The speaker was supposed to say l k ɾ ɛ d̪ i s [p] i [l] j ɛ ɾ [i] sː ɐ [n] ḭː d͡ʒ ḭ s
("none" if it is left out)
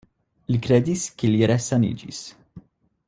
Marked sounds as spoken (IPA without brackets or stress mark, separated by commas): k, l, ɛ, n